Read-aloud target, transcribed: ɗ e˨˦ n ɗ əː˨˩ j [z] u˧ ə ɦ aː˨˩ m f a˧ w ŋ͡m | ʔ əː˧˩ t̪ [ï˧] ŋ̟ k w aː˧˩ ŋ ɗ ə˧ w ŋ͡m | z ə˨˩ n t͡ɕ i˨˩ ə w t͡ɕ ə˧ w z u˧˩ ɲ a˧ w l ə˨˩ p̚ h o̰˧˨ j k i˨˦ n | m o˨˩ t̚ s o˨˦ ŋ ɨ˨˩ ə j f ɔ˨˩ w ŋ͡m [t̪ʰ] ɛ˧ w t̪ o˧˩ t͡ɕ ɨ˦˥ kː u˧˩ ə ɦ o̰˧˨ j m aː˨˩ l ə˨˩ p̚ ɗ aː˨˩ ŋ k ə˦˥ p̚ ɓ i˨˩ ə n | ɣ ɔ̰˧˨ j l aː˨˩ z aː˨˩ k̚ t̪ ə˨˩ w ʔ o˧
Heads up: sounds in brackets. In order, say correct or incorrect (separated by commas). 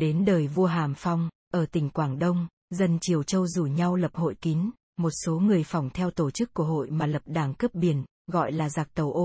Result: incorrect, incorrect, correct